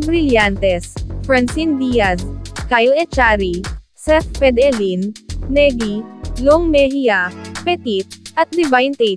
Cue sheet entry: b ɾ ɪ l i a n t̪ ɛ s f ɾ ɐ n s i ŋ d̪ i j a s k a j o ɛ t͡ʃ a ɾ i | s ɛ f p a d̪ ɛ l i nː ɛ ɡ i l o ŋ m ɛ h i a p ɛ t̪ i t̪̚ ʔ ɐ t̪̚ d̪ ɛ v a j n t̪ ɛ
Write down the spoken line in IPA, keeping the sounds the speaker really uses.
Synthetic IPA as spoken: b ɾ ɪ l j a n t̪ ɛ s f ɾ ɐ n s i n d̪ i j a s k a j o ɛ t͡ʃ a ɾ i | s ɛ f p ɛ d̪ ɛ l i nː ɛ ɡ i l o ŋ m ɛ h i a p ɛ t̪ i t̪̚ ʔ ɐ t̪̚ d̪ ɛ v a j n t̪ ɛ